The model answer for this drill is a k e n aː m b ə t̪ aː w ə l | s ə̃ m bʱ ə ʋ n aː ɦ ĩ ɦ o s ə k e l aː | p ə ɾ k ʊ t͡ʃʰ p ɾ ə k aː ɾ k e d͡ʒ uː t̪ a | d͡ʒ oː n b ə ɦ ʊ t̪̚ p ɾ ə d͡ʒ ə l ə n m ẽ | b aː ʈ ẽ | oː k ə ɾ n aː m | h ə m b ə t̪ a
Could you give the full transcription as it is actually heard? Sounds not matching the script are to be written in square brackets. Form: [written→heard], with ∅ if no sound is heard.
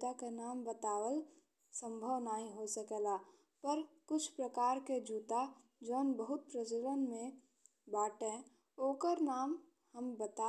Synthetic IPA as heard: a k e n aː m b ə t̪ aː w ə l | s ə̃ m bʱ ə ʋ n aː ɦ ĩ ɦ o s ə k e l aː | p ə ɾ k ʊ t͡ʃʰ p ɾ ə k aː ɾ k e d͡ʒ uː t̪ a | d͡ʒ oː n b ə ɦ ʊ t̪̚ p ɾ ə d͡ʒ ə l ə n m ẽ | b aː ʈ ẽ | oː k ə ɾ n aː m | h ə m b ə t̪ a